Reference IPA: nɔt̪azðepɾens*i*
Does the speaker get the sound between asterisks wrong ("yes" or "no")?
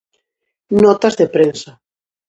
yes